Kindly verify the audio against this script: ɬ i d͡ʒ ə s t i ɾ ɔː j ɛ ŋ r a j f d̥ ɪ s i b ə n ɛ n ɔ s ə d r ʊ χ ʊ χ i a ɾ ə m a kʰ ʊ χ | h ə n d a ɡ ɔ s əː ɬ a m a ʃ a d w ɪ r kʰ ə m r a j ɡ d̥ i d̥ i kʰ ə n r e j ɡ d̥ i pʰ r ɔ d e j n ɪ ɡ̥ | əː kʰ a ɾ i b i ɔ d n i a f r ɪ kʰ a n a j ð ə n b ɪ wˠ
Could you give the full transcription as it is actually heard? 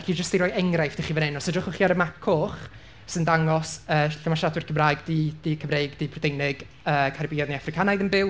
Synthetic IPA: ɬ i d͡ʒ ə s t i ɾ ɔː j ɛ ŋ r a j f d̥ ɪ χ i v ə n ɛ n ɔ s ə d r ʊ χ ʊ χ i a ɾ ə m a kʰ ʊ χ | s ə n d a ŋ ɔ s əː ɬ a m a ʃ a d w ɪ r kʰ ə m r a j ɡ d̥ i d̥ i kʰ ə m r e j ɡ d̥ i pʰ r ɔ d e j n ɪ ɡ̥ | əː kʰ a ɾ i b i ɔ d n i a f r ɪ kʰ a n a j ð ə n b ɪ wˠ